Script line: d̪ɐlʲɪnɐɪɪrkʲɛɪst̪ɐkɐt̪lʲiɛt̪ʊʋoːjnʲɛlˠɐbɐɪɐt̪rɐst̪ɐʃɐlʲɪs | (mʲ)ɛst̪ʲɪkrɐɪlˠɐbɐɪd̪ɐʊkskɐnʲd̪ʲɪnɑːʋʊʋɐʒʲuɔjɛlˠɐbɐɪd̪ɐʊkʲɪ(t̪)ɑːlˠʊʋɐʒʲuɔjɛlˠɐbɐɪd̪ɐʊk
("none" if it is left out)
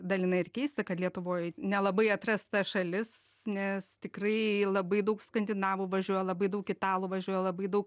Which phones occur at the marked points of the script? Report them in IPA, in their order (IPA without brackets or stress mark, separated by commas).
nʲ, t̪